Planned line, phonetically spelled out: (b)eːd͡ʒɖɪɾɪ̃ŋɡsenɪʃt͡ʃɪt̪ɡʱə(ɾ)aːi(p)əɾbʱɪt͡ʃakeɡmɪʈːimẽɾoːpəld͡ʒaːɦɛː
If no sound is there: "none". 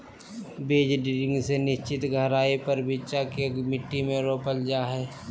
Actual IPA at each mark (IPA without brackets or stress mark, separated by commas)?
b, ɾ, p